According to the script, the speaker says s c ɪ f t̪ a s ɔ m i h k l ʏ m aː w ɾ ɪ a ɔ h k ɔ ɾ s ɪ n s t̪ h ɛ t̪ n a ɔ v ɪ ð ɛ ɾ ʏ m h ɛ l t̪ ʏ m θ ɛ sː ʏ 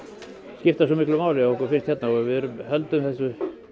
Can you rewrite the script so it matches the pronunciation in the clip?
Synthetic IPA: s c ɪ f t̪ a s ɔ m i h k l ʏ m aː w l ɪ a ɔ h k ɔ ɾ f ɪ n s t̪ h ɛ t̪ n a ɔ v ɪ ð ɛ ɾ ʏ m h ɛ l t̪ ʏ m θ ɛ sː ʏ